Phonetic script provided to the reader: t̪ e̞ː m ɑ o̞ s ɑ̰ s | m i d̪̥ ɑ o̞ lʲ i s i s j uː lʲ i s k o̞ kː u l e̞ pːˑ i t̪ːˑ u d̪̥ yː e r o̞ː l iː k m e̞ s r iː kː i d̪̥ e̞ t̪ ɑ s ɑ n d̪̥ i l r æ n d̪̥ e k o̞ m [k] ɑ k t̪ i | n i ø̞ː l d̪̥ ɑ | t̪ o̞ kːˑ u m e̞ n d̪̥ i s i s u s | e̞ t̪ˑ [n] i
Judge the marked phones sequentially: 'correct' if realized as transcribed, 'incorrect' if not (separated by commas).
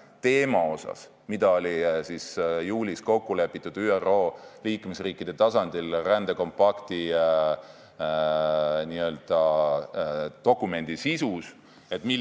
incorrect, incorrect